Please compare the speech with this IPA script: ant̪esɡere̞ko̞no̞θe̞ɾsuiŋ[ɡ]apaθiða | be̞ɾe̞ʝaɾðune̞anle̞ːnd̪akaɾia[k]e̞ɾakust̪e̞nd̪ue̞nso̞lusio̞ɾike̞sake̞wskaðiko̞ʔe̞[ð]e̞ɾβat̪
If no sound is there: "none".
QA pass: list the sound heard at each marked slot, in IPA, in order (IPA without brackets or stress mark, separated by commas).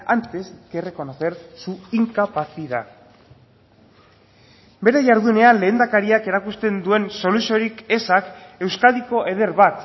k, k, ð